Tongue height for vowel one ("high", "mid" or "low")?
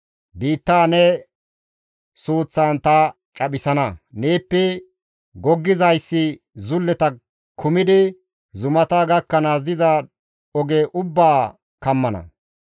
high